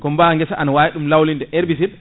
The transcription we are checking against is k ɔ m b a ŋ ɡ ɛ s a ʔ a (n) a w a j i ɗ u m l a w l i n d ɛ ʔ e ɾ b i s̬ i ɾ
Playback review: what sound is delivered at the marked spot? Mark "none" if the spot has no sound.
n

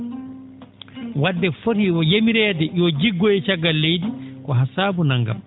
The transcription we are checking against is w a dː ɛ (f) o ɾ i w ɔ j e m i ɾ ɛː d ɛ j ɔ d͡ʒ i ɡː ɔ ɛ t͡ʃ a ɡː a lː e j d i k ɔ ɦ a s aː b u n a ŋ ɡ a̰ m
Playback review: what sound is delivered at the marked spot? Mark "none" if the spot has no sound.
f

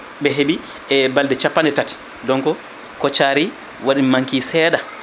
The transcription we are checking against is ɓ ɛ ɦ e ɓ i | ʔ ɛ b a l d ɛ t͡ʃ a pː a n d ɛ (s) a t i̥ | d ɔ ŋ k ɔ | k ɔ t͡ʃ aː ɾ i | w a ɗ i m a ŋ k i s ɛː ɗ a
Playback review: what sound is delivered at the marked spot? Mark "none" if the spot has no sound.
t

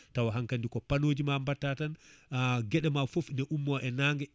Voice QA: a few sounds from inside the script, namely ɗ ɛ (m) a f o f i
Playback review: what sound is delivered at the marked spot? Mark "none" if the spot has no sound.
m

